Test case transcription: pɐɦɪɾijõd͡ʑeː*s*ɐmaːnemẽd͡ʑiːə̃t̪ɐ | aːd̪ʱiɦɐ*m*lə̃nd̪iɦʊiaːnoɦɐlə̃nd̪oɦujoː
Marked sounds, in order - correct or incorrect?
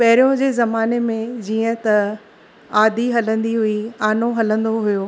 incorrect: z, incorrect: none

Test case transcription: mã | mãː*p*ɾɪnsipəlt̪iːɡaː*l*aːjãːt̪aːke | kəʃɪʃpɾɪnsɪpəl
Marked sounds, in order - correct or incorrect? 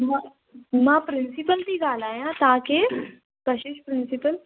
correct, correct

